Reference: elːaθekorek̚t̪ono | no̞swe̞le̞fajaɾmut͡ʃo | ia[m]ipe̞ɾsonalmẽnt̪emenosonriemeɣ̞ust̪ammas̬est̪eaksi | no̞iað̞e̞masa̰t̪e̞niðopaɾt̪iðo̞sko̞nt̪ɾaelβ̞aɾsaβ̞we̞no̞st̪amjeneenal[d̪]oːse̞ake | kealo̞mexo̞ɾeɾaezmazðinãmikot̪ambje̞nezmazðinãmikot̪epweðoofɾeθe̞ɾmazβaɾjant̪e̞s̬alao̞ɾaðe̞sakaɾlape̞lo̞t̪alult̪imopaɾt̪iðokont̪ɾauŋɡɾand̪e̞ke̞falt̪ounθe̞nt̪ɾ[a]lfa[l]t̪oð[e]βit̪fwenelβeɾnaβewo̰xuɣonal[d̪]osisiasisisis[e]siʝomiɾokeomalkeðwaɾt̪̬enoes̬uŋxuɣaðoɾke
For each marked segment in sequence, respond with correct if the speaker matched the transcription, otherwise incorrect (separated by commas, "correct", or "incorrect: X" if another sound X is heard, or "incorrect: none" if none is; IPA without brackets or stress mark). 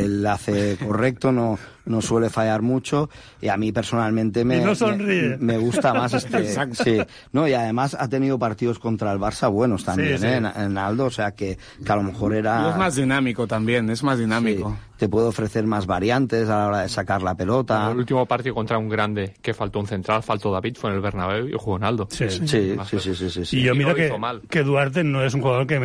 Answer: correct, correct, correct, correct, incorrect: a, correct, incorrect: i